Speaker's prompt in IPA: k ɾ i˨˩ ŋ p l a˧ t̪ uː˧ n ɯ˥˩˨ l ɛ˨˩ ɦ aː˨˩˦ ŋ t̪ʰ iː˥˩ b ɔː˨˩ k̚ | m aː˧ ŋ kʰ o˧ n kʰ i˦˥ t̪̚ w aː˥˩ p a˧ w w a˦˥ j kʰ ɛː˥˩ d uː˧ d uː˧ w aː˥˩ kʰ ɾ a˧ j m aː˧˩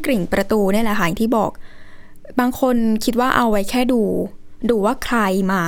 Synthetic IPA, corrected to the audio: k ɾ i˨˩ ŋ p ɾ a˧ t̪ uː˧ n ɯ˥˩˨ l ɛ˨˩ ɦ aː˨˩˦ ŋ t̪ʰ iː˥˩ b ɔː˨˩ k̚ | b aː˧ ŋ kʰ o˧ n kʰ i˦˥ t̪̚ w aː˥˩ ʔ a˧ w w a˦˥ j kʰ ɛː˥˩ d uː˧ d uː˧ w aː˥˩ kʰ ɾ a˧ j m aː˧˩